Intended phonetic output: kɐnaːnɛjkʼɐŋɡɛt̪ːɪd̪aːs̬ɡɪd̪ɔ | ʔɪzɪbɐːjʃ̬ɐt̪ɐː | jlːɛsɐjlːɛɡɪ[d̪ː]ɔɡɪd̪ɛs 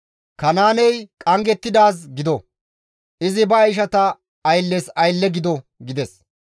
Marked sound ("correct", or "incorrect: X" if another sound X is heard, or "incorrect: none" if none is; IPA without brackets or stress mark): incorrect: d̪